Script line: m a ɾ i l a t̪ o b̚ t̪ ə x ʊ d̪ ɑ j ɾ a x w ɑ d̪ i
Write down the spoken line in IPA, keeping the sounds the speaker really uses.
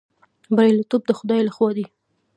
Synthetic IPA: b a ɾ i l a t̪ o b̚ d̪ ə x ʊ d̪ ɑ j l a x w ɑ d̪ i